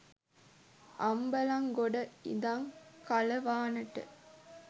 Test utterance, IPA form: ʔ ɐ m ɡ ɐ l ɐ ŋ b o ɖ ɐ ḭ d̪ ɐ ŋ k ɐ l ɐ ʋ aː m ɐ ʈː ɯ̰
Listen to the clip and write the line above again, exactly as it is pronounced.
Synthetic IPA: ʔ ɐ m b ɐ l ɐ ŋ ɡ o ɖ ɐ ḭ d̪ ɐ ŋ k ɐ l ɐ ʋ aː n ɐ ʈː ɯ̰

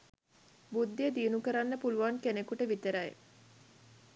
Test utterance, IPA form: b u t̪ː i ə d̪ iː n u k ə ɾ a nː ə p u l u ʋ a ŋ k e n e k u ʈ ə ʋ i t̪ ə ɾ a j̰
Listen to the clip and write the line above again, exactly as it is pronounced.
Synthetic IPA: b u d̪ː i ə d̪ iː n u k ə ɾ a nː ə p u l u ʋ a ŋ k e n e k u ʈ ə ʋ i t̪ ə ɾ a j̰

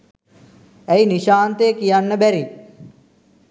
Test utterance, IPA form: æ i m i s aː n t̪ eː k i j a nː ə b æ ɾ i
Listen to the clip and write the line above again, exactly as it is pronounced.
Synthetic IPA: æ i n i ʃ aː n t̪ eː k i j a nː ə b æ ɾ i

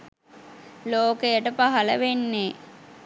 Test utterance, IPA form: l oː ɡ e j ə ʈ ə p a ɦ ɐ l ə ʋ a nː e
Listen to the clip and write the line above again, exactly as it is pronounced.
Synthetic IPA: l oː k e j ə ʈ ə p a ɦ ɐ l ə ʋ e nː e

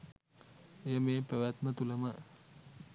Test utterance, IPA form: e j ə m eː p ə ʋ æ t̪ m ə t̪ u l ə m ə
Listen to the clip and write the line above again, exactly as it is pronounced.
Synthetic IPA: e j ə m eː p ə ʋ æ t̪ m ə t̪ u l ə m ə

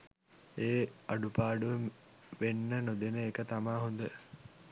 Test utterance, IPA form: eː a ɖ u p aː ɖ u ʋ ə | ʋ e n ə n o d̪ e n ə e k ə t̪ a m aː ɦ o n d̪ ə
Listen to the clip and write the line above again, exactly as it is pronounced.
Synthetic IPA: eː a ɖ u p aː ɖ u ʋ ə | ʋ e nː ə n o d̪ e n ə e k ə t̪ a m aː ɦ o n d̪ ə

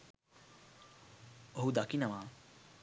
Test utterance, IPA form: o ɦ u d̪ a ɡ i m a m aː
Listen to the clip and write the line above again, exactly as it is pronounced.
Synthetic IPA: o ɦ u d̪ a k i n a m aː

